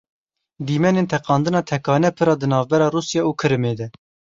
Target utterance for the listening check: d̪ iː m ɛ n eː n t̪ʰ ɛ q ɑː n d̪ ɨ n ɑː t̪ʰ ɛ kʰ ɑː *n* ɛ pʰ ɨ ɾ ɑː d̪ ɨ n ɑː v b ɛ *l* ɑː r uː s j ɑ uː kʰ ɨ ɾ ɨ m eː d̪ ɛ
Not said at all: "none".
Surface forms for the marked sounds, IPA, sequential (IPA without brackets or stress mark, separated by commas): n, ɾ